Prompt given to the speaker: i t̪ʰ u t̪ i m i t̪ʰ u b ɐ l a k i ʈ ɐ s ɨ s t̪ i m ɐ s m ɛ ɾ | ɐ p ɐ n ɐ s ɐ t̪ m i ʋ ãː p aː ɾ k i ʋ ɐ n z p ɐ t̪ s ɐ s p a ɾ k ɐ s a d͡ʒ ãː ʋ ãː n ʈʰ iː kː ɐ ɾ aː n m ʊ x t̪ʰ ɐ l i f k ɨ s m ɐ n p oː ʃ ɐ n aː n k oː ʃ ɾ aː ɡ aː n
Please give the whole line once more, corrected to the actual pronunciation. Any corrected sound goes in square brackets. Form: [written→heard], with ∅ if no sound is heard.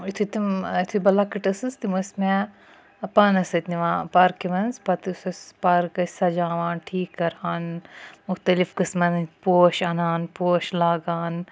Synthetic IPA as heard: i t̪ʰ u t̪ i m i t̪ʰ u b ɐ l a k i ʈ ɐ s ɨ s t̪ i m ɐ s m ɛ [ɾ→∅] | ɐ p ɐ n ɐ s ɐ t̪ [m→n] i ʋ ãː p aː ɾ k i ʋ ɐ n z p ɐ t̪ s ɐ s p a ɾ k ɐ s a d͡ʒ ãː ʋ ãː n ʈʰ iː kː ɐ ɾ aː n m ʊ x [t̪ʰ→t̪] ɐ l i f k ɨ s m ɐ n p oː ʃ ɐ n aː n [k→p] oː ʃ [ɾ→l] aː ɡ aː n